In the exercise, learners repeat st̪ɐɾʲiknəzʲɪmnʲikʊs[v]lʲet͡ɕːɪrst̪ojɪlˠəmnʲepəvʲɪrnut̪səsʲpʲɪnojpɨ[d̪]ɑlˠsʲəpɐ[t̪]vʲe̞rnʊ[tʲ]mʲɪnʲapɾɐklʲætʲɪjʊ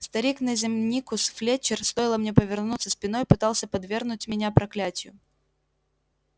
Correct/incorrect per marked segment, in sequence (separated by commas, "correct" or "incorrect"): incorrect, incorrect, incorrect, correct